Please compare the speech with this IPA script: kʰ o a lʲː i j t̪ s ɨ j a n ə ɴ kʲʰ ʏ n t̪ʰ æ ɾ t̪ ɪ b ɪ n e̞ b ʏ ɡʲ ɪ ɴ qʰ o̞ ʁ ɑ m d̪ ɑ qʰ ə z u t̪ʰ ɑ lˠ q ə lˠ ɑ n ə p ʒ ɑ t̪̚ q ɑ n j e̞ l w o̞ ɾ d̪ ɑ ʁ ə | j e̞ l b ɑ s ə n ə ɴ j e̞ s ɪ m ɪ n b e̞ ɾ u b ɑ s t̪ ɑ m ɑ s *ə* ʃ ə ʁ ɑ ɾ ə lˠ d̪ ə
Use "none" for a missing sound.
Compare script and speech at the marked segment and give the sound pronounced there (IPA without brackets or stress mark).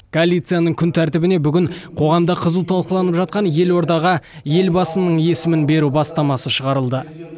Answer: ə